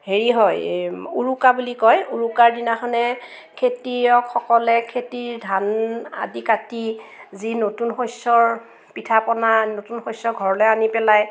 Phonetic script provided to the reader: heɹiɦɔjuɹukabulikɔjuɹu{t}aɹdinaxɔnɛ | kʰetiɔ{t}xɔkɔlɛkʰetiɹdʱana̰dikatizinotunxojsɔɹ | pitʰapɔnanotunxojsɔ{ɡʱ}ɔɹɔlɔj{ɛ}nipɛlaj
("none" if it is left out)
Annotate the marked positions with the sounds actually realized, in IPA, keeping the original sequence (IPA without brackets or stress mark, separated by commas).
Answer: k, k, ɡʱ, a